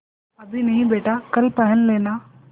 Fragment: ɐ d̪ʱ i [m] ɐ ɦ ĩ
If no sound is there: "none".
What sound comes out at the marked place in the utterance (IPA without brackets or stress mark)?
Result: n